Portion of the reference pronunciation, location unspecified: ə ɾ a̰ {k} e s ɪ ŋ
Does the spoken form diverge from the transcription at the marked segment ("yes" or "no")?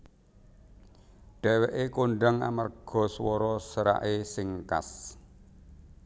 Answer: yes